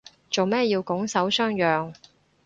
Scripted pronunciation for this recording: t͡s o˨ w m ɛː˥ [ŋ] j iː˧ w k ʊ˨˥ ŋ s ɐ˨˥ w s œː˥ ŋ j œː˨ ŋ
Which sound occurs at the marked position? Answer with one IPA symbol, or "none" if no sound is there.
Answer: none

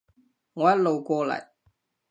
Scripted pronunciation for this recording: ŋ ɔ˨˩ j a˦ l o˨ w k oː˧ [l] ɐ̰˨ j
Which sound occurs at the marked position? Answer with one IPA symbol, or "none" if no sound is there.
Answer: l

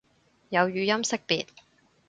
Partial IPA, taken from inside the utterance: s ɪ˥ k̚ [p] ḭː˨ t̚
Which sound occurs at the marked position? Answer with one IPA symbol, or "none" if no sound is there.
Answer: p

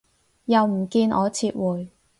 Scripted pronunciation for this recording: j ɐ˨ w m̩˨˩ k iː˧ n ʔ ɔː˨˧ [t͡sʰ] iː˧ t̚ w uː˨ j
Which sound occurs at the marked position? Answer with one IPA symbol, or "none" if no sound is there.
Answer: t͡sʰ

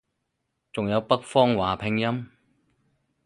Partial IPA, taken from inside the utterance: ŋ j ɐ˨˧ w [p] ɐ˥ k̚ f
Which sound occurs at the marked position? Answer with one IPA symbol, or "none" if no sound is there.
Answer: p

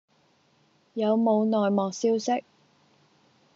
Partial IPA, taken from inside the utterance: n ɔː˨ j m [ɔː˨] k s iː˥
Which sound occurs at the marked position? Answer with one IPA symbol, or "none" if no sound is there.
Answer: ɔː˨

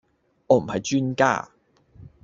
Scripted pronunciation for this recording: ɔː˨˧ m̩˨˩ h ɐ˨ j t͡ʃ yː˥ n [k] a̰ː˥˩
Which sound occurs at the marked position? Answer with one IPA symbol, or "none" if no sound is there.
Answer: k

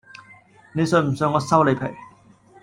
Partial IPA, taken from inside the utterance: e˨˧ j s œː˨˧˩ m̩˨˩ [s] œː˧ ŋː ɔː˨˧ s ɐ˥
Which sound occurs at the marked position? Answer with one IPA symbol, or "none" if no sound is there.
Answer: s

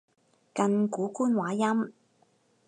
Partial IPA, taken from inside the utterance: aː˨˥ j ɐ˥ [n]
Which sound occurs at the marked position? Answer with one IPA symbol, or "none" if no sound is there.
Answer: m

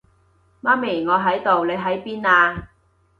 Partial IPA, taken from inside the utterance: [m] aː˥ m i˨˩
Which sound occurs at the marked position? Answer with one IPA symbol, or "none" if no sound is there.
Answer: m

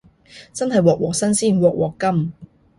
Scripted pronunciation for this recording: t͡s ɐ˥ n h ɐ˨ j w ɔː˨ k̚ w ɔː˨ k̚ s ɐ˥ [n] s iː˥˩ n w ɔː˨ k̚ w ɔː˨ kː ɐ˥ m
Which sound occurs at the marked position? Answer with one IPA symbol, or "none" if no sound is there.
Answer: n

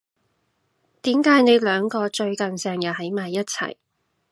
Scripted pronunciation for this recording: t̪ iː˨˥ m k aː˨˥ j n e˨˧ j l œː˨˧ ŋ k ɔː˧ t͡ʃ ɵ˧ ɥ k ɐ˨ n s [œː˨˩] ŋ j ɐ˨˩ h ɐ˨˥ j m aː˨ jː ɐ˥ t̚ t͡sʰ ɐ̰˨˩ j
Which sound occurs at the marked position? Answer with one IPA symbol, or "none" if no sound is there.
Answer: ɛː˨˩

